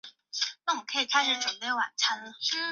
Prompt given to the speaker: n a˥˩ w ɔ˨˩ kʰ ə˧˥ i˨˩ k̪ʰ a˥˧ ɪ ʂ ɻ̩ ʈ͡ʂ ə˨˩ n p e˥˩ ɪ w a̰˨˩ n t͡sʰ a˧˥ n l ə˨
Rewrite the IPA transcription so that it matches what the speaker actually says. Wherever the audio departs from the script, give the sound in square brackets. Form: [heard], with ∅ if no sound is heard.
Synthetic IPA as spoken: n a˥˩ w ɔ˨˩ kʰ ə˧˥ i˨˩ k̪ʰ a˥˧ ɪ ʂ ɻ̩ ʈ͡ʂ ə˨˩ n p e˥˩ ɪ w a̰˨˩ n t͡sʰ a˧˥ n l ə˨